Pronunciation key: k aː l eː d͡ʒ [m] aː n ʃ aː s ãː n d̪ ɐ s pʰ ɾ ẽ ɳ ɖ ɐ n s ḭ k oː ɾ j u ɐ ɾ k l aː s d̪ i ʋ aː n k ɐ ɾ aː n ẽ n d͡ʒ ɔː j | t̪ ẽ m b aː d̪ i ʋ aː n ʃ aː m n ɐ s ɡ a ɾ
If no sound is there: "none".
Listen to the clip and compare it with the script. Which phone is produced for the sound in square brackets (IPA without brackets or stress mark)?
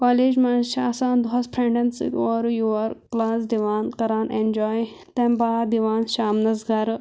m